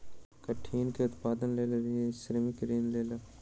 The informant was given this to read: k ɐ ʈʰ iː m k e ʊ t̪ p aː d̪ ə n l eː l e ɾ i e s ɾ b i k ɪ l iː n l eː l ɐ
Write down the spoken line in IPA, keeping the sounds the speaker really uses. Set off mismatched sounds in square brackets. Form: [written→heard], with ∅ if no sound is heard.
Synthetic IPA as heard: k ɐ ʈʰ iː [m→n] k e ʊ t̪ p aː d̪ ə n l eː l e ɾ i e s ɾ [b→m] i k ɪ [l→ɾ] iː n l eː l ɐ